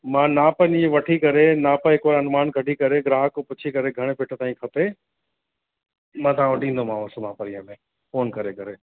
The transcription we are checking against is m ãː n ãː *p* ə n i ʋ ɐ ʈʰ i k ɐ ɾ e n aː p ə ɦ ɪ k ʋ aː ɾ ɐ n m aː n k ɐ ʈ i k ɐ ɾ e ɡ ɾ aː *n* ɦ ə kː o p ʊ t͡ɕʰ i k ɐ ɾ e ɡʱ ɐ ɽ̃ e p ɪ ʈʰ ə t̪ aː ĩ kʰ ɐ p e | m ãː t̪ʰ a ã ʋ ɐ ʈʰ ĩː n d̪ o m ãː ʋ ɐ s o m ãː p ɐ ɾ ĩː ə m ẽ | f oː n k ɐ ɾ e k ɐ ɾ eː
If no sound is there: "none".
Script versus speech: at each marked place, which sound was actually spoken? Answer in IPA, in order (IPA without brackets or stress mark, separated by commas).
p, none